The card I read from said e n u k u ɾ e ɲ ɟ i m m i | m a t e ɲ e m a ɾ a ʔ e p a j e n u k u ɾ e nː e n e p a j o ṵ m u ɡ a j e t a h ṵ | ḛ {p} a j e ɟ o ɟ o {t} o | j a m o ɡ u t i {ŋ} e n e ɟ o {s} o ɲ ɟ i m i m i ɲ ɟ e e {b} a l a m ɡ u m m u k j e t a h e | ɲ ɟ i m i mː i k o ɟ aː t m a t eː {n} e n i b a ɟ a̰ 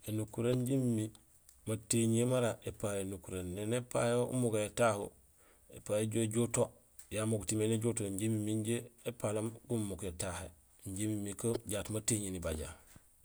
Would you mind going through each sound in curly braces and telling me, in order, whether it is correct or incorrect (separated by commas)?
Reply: correct, correct, incorrect, incorrect, incorrect, incorrect